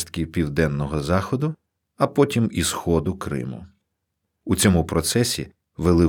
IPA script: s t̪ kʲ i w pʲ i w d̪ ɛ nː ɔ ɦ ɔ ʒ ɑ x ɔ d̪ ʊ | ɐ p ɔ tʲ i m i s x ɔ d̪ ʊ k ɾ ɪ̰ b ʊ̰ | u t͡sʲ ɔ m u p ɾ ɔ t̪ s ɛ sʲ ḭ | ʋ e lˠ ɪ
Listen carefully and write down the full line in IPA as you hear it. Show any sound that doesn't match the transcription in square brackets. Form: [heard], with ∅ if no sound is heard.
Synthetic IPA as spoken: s t̪ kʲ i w pʲ i w d̪ ɛ nː ɔ ɦ ɔ [z] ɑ x ɔ d̪ ʊ | ɐ p ɔ tʲ i m i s x ɔ d̪ ʊ k ɾ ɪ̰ [m] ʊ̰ | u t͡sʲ ɔ m u p ɾ ɔ t̪ s ɛ sʲ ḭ | ʋ e lˠ ɪ